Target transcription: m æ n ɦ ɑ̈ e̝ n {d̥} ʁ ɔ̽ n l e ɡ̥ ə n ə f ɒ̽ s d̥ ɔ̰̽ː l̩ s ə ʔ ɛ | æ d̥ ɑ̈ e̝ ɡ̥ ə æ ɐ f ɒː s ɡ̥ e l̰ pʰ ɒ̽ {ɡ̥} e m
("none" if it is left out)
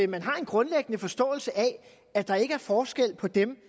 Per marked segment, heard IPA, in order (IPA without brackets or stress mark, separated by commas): ɡ̥, d̥